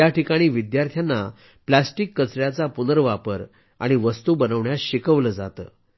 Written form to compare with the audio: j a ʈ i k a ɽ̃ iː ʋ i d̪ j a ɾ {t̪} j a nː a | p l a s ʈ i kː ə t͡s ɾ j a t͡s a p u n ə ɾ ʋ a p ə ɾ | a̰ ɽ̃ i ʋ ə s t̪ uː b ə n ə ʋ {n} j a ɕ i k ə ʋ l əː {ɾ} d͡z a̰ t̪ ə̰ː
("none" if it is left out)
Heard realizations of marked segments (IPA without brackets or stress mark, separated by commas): t̪ʰ, ɳ, none